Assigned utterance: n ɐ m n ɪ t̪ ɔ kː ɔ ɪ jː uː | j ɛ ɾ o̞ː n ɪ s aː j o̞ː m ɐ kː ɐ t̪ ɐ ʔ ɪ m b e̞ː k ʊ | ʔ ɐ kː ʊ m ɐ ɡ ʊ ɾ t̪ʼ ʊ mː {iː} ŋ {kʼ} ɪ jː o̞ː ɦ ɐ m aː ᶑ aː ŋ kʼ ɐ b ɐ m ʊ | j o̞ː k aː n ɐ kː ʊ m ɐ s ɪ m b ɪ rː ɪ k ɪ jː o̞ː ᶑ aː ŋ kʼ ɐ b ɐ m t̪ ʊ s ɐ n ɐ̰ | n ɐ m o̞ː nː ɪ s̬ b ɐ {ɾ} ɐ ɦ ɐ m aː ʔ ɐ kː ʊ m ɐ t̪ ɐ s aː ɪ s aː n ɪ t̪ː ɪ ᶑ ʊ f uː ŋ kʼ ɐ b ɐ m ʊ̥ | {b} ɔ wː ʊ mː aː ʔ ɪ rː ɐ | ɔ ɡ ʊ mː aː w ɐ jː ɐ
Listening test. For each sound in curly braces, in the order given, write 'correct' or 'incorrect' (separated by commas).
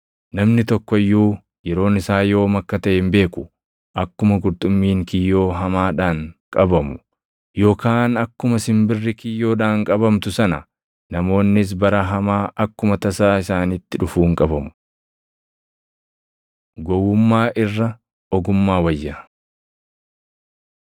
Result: correct, incorrect, correct, incorrect